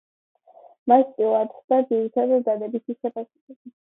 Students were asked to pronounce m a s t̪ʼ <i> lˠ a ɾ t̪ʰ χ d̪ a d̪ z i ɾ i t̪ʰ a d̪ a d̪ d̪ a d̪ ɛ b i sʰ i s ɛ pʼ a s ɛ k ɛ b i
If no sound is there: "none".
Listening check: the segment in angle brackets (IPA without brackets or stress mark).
i